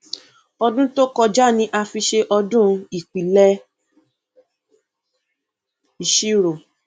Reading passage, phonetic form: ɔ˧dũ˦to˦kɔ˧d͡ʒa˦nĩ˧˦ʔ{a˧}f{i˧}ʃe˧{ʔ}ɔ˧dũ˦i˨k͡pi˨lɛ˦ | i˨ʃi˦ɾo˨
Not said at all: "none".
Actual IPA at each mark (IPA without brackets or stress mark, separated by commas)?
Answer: a˧, i˧, ʔ